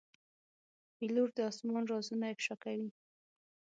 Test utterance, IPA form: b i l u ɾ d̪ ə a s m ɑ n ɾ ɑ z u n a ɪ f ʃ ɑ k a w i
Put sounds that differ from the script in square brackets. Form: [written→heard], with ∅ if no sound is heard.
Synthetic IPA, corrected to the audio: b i l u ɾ d̪ ə [a→ɑ] s m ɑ n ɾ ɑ z u n a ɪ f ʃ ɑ k a w i